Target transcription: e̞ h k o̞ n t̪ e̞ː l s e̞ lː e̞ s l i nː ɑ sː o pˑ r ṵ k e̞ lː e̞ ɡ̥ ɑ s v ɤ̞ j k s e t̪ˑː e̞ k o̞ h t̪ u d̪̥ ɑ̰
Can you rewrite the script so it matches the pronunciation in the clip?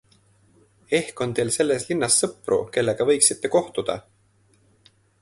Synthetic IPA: e̞ h k o̞ n t̪ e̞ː l s e̞ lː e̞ s l i nː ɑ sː ɤ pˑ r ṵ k e̞ lː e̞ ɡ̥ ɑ v ɤ̞ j k s i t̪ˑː e̞ k o̞ h t̪ u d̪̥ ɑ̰

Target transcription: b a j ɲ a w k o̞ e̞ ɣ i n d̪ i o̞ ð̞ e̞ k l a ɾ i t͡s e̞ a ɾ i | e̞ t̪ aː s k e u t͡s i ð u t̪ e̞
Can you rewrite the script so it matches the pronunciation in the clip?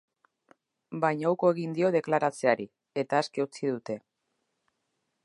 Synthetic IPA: b a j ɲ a w k o̞ e̞ ɣ i n d̪ i o̞ ð̞ e̞ k l a ɾ a t͡s e̞ a ɾ i | e̞ t̪ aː s k e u t͡s i ð u t̪ e̞

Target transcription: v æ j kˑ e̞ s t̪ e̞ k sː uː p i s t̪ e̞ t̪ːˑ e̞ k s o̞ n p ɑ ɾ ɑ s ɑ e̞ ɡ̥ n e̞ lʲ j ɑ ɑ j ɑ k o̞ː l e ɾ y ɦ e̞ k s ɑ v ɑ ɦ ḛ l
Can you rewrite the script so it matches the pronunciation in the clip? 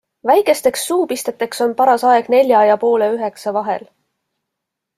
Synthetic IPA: v æ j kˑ e̞ s t̪ e̞ k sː uː p i s t̪ e̞ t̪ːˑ e̞ k s o̞ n p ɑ ɾ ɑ s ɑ e̞ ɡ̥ n e̞ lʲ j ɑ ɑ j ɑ p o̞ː l e y ɦ e̞ k s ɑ v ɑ ɦ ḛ l

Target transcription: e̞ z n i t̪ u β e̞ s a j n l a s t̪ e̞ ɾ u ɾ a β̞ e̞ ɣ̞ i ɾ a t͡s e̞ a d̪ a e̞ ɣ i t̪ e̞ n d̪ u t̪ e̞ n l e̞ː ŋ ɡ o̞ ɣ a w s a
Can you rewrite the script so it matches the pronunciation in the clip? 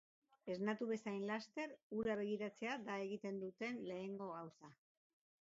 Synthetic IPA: e̞ z n a t̪ u β e̞ s a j n l a s t̪ e̞ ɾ u ɾ a β̞ e̞ ɣ̞ i ɾ a t͡s e̞ a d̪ a e̞ ɣ i t̪ e̞ n d̪ u t̪ e̞ n l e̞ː ŋ ɡ o̞ ɣ a w s a

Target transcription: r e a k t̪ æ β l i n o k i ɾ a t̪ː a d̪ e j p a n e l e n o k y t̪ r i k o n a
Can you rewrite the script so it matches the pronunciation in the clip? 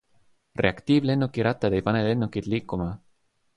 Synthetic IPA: r e a k t̪ i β l e n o k i ɾ a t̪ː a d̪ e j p a n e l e n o k i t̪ l i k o m a

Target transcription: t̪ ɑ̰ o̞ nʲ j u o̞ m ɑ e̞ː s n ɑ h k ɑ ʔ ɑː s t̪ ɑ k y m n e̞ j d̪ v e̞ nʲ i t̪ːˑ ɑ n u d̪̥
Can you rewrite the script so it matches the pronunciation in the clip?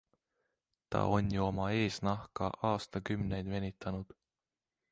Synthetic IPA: t̪ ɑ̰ o̞ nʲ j u o̞ m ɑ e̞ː s n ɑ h k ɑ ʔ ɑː s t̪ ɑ k y m n e̞ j d̪ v e̞ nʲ i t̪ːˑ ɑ n u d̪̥

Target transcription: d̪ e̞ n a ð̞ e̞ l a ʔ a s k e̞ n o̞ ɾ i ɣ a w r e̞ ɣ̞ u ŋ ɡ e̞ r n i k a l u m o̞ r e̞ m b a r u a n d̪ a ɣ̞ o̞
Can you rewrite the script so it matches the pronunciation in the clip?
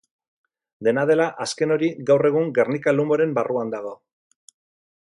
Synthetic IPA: d̪ e̞ n a ð̞ e̞ l a ʔ a s k e̞ n o̞ ɾ i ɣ a w r e̞ ɣ̞ u ŋ ɡ e̞ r n i k a l u m o̞ ɾ e̞ m b a r u a n d̪ a ɣ̞ o̞

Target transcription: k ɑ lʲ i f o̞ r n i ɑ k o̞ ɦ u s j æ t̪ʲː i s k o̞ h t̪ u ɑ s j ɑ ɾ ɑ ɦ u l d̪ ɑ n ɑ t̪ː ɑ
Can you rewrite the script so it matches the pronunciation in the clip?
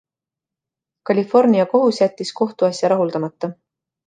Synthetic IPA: k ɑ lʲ i f o̞ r n i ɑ k o̞ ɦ u s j æ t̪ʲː i s k o̞ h t̪ u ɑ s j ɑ ɾ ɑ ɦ u l d̪ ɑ m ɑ t̪ː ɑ

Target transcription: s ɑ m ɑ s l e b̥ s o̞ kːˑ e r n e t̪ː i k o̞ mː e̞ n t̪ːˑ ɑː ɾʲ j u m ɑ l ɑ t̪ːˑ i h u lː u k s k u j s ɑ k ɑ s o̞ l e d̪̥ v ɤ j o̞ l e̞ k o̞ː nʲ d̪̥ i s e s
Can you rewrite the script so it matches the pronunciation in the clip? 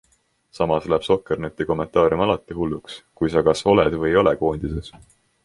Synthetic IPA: s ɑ m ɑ s l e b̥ s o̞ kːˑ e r n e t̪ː i k o̞ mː e̞ n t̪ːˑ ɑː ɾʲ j u m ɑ l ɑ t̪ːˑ i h u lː u k s k u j s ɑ k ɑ s o̞ l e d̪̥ v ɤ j o̞ l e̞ k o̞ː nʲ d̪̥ i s e s

